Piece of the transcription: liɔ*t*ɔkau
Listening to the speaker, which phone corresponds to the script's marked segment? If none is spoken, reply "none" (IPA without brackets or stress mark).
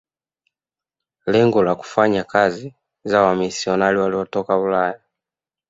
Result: t